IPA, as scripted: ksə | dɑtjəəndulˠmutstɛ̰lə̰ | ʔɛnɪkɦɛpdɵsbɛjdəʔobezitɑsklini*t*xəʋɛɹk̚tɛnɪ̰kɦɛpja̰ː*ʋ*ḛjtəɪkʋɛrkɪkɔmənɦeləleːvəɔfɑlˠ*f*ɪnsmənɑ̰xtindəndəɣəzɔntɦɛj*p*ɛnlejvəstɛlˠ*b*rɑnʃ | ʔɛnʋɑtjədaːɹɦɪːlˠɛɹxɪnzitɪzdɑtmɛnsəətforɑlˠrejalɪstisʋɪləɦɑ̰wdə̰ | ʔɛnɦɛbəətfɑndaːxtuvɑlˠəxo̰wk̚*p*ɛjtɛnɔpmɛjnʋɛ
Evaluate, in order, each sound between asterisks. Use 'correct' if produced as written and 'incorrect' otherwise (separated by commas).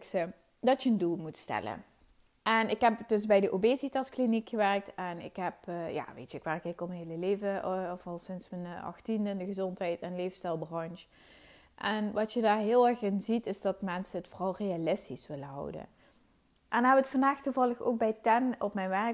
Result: incorrect, correct, incorrect, incorrect, correct, incorrect